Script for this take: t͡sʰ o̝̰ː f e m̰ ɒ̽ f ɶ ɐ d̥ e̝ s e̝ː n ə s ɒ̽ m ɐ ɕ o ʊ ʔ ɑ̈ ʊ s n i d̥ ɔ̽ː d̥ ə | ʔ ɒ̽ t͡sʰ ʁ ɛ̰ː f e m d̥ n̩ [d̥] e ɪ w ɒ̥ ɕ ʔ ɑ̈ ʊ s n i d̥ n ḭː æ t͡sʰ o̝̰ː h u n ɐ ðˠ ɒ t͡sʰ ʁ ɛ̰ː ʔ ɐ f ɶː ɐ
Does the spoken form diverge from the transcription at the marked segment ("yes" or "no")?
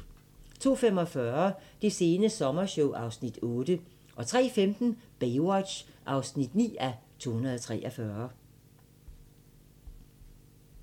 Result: yes